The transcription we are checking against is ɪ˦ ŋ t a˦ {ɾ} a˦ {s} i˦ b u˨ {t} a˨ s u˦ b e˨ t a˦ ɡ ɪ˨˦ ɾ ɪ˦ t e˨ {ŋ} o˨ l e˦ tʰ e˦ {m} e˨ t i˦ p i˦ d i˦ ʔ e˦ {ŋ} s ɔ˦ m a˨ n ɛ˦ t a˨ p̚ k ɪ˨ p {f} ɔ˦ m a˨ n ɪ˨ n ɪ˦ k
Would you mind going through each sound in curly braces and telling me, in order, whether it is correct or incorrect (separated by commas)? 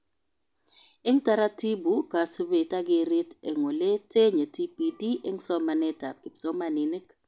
correct, incorrect, incorrect, correct, incorrect, correct, incorrect